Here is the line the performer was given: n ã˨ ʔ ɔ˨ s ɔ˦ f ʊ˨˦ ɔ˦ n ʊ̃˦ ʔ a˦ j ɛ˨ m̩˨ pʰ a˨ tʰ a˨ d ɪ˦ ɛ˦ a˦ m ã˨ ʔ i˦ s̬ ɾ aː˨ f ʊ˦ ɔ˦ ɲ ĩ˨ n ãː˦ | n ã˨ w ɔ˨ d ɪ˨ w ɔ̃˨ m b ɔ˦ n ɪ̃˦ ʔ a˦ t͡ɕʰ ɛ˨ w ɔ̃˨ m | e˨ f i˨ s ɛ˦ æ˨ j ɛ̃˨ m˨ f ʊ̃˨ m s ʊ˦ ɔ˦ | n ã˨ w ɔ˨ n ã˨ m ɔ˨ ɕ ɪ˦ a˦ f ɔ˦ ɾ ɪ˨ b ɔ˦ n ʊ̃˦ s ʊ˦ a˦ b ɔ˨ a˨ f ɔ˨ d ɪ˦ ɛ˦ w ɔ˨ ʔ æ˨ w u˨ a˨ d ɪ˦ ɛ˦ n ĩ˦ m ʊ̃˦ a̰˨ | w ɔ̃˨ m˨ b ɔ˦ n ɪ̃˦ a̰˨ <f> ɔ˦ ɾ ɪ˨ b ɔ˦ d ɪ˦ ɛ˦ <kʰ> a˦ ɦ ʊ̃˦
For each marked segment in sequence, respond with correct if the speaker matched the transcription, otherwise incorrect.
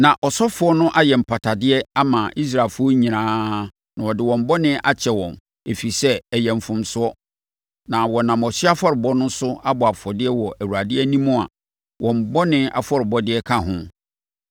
correct, correct

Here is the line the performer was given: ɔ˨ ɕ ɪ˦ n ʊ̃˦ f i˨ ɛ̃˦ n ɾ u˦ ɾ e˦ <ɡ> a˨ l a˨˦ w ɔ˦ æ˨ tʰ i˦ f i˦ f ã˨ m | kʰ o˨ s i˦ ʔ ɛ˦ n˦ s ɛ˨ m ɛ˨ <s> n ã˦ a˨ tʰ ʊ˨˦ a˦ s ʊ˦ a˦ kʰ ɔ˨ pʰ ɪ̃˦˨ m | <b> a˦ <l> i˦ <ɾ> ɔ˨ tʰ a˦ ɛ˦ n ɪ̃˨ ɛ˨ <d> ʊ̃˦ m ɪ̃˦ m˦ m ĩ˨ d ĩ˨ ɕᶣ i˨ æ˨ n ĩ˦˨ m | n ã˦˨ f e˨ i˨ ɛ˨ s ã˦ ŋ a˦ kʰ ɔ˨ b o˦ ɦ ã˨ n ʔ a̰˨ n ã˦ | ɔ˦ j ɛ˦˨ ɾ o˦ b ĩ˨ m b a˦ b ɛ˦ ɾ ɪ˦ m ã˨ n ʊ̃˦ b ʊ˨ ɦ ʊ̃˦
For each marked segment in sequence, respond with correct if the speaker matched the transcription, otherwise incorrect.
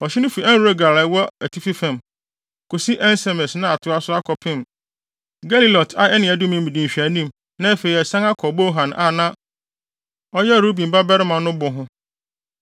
correct, correct, incorrect: ɡ, correct, incorrect: l, correct

